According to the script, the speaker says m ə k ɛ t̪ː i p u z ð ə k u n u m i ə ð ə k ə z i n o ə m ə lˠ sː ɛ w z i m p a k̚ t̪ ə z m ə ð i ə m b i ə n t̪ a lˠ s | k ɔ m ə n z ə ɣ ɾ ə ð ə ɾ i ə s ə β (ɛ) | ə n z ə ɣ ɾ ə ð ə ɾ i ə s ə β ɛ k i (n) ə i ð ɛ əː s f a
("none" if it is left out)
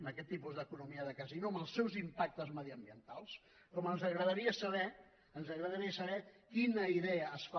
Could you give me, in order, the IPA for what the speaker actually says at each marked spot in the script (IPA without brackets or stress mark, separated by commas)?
ɛ, n